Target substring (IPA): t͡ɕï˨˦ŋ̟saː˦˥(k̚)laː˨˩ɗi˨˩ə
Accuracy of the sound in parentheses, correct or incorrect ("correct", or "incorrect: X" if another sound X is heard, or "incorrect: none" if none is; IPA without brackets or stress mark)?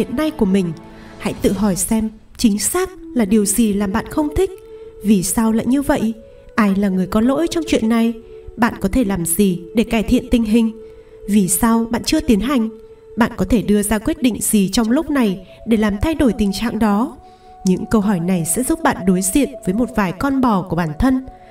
correct